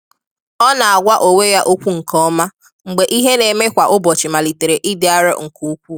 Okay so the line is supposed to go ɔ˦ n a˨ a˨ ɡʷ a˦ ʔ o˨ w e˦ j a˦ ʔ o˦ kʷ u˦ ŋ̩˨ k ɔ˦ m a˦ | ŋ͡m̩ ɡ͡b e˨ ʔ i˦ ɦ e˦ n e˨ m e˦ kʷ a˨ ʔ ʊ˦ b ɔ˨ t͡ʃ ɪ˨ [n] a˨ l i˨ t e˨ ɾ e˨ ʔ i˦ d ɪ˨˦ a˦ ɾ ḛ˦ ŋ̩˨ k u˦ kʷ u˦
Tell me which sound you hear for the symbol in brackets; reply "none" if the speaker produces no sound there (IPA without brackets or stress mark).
m